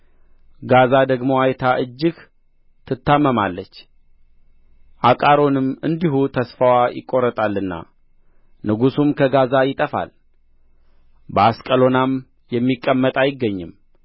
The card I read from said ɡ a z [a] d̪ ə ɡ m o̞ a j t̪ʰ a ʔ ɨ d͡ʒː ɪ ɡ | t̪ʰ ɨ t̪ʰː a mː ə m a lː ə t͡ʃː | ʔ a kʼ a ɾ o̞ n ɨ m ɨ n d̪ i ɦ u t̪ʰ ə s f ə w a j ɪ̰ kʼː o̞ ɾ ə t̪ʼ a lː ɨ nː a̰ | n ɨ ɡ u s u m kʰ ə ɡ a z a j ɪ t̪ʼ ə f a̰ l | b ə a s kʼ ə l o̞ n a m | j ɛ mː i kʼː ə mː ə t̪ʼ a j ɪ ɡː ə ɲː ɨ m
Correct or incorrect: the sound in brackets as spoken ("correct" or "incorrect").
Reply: correct